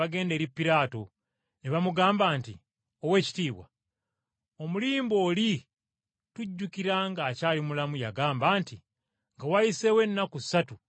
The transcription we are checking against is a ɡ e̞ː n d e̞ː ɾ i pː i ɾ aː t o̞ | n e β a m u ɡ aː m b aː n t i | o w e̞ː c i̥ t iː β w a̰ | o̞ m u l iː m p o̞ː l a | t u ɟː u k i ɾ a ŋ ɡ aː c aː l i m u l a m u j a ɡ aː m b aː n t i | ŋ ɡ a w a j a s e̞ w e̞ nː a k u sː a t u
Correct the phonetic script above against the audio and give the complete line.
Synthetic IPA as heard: a ɡ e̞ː n d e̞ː ɾ i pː i ɾ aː t o̞ | n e β a m u ɡ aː m b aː n t i | o w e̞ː c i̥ t iː β w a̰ | o̞ m u l iː m b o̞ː l i | t u ɟː u k i ɾ a ŋ ɡ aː c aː l i m u l a m u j a ɡ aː m b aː n t i | ŋ ɡ a w a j i s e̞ w e̞ nː a k u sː a t u